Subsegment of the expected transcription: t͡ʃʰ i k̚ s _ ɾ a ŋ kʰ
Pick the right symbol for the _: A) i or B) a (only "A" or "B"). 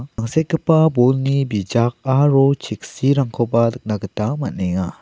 A